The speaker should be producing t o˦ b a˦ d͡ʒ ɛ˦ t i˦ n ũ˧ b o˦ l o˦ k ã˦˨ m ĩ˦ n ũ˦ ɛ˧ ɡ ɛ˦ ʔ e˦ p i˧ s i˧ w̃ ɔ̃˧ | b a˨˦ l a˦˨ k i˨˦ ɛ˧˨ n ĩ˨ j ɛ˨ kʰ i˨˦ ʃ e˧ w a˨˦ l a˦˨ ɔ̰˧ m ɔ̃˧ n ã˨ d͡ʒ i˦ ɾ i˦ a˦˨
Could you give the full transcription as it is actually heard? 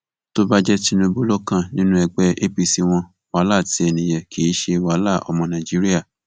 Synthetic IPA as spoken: t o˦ b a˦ d͡ʒ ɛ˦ t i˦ n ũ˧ b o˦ l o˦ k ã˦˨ n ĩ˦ n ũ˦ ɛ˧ ɡ͡b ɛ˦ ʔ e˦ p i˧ s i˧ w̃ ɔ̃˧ | w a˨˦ l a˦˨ t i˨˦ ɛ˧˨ n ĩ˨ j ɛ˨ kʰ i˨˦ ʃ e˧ w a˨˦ l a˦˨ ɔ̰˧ m ɔ̃˧ n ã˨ d͡ʒ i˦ ɾ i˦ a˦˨